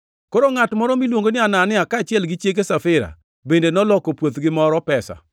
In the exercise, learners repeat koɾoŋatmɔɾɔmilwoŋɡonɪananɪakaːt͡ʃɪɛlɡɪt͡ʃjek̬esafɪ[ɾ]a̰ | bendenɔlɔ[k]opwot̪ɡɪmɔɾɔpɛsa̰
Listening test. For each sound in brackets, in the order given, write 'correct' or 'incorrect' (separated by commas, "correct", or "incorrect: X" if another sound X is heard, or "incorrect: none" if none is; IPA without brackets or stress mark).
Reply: correct, correct